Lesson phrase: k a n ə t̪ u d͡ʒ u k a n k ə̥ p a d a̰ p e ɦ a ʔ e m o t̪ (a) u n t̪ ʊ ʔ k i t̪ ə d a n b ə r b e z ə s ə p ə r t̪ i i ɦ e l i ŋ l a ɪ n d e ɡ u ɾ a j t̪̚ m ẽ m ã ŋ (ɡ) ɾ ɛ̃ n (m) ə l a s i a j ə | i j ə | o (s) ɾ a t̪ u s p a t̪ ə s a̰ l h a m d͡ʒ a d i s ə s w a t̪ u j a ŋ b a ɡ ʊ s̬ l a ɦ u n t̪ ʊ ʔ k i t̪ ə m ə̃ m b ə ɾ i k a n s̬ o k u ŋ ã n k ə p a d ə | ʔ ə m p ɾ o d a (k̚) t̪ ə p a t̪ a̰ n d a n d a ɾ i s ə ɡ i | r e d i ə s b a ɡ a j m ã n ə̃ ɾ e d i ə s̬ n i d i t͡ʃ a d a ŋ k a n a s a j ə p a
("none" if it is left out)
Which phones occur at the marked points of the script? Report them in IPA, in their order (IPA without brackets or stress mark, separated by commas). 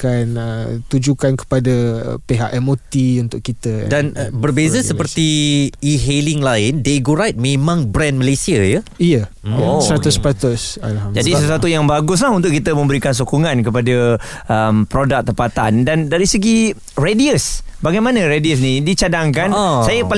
i, b, m, s, k̚